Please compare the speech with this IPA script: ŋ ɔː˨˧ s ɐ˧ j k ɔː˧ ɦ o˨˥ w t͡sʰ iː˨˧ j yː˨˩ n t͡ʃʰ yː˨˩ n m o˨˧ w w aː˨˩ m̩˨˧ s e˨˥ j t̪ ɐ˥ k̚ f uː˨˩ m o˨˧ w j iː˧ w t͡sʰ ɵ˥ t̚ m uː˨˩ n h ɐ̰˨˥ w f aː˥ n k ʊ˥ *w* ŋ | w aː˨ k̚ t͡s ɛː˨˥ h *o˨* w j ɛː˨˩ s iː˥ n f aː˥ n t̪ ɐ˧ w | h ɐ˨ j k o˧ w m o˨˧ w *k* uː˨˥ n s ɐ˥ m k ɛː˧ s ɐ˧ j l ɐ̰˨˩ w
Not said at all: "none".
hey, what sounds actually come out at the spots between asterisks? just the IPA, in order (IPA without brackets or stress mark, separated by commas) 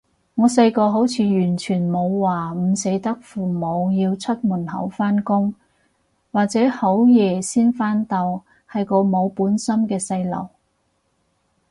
none, o˨˥, p